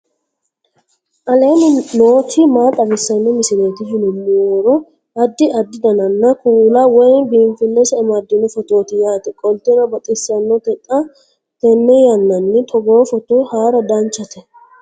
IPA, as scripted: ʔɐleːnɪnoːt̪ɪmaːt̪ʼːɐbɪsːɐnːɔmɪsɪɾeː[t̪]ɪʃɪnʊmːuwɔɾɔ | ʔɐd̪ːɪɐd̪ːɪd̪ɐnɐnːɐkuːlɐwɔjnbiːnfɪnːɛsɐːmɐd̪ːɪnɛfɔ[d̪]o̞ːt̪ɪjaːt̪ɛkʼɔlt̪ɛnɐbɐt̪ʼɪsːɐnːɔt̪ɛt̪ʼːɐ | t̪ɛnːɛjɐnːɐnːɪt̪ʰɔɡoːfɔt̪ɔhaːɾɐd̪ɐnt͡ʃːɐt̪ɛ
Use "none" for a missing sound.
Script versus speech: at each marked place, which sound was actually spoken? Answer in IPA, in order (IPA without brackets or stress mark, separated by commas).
t̪, t̪